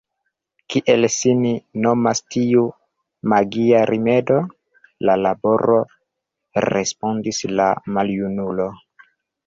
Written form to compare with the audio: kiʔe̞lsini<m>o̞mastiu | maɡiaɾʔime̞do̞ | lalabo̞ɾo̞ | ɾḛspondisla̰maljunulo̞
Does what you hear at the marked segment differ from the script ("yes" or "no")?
yes